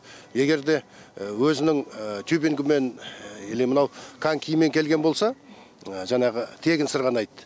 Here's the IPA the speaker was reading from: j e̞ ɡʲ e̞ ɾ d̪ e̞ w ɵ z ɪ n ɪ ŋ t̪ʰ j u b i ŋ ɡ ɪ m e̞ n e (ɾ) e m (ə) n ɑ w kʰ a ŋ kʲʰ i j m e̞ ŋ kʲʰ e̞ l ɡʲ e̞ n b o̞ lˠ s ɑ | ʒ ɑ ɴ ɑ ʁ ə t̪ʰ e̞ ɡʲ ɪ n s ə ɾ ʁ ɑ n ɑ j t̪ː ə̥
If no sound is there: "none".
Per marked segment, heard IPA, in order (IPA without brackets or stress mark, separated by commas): l, ə